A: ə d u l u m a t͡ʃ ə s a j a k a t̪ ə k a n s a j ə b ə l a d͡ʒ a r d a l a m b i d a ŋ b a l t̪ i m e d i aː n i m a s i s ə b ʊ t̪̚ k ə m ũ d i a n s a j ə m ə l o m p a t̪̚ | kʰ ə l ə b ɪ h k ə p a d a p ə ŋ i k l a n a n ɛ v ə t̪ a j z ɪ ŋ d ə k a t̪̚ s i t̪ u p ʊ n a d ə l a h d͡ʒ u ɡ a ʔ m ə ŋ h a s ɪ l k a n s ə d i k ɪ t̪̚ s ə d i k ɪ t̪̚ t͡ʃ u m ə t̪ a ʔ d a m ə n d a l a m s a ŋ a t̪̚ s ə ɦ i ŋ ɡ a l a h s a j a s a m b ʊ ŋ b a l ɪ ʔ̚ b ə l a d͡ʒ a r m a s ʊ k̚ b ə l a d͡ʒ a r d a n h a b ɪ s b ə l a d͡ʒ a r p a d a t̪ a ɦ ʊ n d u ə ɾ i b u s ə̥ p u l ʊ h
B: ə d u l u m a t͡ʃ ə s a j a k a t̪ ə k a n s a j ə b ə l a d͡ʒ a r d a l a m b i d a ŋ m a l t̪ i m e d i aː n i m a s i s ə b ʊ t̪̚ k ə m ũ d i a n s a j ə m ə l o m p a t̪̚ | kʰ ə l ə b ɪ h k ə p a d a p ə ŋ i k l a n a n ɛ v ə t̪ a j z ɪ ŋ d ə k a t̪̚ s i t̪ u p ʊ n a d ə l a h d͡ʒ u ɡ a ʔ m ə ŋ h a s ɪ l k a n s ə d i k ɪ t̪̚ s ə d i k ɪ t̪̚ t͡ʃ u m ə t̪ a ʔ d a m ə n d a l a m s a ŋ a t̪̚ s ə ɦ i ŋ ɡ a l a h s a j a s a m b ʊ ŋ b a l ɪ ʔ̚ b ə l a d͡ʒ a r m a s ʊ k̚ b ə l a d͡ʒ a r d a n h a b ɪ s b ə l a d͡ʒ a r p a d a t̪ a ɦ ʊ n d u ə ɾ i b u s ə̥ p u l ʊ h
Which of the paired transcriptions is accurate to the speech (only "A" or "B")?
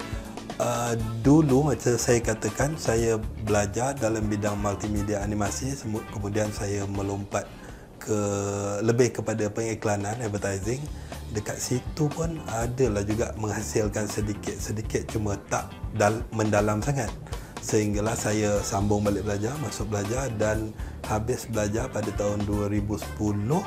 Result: B